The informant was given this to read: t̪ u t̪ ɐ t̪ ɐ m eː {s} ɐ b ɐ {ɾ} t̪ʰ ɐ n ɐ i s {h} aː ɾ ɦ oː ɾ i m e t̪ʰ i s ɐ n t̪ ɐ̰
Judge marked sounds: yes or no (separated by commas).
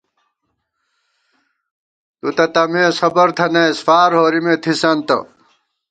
yes, yes, no